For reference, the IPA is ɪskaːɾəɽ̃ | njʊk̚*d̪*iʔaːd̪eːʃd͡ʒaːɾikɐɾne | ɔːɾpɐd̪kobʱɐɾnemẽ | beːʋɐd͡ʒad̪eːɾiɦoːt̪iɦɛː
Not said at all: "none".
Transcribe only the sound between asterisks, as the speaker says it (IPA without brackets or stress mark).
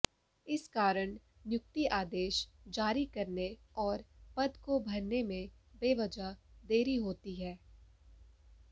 t̪